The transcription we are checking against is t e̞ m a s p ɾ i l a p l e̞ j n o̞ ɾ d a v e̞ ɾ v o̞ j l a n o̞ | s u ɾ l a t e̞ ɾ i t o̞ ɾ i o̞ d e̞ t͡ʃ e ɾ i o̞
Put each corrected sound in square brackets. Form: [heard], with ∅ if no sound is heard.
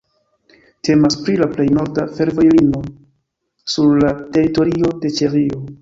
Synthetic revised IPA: t e̞ m a s p ɾ i l a p l e̞ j n o̞ ɾ d a [f] e̞ ɾ v o̞ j l [i] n o̞ | s u ɾ l a t e̞ ɾ i t o̞ ɾ i o̞ d e̞ t͡ʃ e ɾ i o̞